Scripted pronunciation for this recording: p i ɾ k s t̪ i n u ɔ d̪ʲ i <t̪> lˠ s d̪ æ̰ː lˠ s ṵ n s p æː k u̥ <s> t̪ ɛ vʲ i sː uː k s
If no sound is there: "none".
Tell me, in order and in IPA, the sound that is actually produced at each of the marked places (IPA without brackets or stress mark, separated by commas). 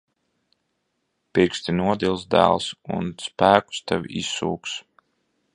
none, s